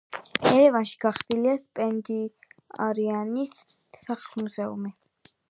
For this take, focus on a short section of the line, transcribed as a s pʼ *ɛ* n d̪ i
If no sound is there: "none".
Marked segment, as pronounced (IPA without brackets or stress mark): ɛ